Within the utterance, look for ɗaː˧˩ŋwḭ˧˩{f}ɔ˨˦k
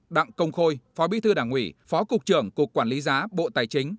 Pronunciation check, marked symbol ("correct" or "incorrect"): correct